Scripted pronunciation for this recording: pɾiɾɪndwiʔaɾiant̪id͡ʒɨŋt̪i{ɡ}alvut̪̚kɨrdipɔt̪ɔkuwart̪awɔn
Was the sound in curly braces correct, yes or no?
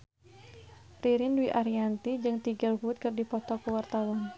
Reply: yes